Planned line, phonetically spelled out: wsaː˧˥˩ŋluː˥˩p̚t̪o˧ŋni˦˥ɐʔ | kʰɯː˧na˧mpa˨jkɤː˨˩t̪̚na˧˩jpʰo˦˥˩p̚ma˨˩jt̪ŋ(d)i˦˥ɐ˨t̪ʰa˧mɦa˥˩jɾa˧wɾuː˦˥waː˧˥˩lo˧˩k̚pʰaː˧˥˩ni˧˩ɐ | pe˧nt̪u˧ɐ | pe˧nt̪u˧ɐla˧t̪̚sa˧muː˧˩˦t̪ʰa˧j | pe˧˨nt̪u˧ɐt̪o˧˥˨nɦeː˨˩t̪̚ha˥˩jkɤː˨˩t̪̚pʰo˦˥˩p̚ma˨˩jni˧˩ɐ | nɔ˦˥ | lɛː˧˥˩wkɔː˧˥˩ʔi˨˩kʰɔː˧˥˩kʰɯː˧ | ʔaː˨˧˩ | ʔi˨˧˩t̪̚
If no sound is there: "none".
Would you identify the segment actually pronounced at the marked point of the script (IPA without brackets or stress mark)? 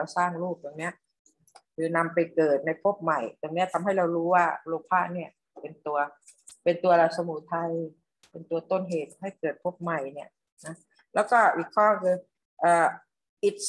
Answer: n